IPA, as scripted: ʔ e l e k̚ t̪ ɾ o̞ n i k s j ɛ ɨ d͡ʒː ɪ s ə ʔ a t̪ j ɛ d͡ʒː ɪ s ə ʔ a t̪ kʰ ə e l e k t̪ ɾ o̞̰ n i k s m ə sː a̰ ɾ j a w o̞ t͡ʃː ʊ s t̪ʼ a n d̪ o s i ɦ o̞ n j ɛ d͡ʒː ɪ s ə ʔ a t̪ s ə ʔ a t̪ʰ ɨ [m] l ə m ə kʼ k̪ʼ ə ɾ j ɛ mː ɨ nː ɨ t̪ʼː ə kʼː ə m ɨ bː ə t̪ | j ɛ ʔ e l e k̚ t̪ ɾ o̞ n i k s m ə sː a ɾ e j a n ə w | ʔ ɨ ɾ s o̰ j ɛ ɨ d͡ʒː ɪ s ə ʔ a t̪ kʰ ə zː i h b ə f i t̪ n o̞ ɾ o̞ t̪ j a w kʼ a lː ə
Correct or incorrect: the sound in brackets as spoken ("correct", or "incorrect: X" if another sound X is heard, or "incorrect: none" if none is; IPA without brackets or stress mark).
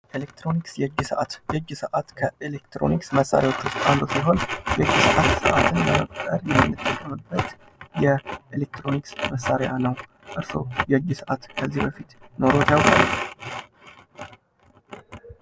incorrect: n